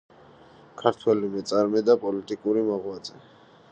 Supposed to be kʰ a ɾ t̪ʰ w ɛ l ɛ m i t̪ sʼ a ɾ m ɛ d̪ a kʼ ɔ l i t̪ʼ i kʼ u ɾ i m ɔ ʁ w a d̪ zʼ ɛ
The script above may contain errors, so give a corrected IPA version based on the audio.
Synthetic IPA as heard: kʰ a ɾ t̪ʰ w ɛ l i m ɛ t̪ sʼ a ɾ m ɛ d̪ a pʼ ɔ l i t̪ʼ i kʼ u ɾ i m ɔ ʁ w a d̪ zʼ ɛ